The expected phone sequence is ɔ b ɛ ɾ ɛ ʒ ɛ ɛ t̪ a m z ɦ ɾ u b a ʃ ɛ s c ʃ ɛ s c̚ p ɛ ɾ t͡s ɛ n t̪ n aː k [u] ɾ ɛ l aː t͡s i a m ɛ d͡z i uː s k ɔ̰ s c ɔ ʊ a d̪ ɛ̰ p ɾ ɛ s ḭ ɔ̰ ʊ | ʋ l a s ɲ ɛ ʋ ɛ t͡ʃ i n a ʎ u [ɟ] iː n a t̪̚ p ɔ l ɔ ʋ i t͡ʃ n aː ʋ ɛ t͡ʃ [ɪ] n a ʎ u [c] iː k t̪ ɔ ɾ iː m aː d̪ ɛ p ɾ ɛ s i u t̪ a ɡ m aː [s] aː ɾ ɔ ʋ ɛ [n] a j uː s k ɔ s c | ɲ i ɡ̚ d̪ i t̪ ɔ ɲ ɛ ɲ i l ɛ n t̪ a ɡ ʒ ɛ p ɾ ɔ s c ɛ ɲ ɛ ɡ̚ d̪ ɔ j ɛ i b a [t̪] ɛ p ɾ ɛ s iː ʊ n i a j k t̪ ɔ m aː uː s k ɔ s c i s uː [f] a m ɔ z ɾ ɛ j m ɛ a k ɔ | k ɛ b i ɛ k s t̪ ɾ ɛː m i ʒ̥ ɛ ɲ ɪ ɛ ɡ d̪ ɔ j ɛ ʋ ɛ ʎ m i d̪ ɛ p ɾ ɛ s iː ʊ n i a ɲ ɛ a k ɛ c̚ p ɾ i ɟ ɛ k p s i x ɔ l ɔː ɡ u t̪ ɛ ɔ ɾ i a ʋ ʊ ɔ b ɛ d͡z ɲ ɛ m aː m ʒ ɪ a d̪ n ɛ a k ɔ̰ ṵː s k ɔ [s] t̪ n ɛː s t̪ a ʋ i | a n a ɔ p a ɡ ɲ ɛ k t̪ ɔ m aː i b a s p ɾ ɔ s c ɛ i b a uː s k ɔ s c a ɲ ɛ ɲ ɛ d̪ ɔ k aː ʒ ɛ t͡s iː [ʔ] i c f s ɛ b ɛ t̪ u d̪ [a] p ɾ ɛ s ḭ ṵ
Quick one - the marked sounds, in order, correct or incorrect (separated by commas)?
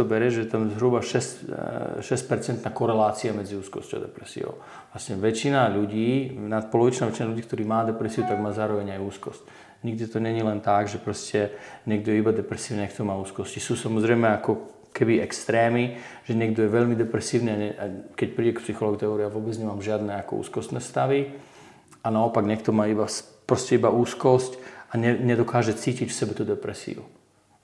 incorrect, correct, incorrect, incorrect, incorrect, incorrect, incorrect, incorrect, correct, incorrect, incorrect